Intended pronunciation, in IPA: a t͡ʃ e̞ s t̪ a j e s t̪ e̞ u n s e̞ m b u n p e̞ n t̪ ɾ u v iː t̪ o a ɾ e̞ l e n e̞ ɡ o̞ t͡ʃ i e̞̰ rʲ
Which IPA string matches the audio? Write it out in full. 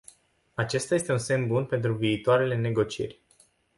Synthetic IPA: a t͡ʃ e̞ s t̪ a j e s t̪ e̞ u n s e̞ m b u n p e̞ n t̪ ɾ u v iː t̪ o a ɾ e̞ l e n e̞ ɡ o̞ t͡ʃ i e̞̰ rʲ

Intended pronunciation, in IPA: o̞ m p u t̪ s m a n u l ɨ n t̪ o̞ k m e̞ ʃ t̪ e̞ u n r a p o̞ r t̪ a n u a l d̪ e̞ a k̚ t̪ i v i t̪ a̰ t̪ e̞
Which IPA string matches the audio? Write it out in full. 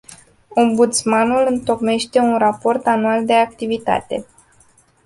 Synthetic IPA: o̞ m b u t̪ s m a n u l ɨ n t̪ o̞ k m e̞ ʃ t̪ e̞ u n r a p o̞ r t̪ a n u a l d̪ e̞ a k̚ t̪ i v i t̪ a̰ t̪ e̞

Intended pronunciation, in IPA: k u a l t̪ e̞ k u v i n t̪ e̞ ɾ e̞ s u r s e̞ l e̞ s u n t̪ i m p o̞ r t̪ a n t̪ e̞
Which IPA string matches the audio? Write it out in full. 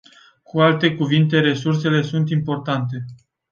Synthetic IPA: k u a l t̪ e̞ k u v i n t̪ e̞ ɾ e̞ s u r s e̞ l e̞ s u n t̪ i m p o̞ r t̪ a n t̪ e̞

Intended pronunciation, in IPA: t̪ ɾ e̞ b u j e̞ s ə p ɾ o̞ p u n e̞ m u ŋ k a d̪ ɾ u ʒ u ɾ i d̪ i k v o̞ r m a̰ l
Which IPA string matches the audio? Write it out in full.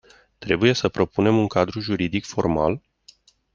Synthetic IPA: t̪ ɾ e̞ b u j e̞ s ə p ɾ o̞ p u n e̞ m u ŋ k a d̪ ɾ u ʒ u ɾ i d̪ i k f o̞ r m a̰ l

